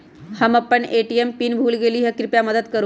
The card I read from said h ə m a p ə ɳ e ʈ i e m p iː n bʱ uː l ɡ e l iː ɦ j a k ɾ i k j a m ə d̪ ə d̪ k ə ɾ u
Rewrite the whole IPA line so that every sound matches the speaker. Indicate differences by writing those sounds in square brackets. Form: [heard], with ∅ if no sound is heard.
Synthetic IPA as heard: h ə m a p ə ɳ e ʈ i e m p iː n bʱ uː l ɡ e l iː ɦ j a k ɾ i [p] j a m ə d̪ ə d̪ k ə ɾ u